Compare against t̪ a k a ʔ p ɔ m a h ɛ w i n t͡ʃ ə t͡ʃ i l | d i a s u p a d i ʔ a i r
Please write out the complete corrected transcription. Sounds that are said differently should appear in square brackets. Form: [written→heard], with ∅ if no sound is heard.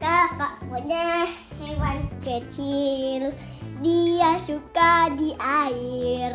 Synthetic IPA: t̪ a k a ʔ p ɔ [m→ɲ] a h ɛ w [i→a] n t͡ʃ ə t͡ʃ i l | d i a s u [p→k] a d i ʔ a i r